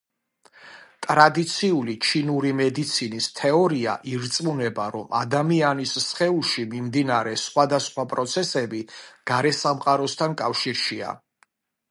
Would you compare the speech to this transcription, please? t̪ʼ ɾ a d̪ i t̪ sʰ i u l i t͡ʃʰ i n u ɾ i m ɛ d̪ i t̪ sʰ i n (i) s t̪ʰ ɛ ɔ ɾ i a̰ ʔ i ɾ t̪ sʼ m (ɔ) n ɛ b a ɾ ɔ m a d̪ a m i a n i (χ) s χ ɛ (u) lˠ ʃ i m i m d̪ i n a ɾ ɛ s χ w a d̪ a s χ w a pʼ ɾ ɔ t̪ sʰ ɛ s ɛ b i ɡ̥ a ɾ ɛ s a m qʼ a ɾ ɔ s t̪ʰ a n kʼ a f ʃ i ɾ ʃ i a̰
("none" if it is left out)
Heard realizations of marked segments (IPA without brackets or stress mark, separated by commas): i, u, s, u